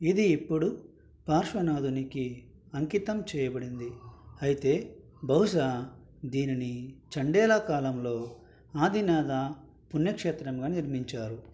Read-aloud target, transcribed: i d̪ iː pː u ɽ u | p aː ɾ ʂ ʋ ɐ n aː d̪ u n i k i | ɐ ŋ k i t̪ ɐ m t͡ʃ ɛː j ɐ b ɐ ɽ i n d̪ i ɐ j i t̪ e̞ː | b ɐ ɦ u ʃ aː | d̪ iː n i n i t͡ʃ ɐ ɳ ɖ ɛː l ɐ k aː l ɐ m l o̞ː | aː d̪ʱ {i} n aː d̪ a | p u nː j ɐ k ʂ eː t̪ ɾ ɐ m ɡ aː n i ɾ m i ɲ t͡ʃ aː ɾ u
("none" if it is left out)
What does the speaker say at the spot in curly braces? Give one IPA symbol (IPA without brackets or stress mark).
i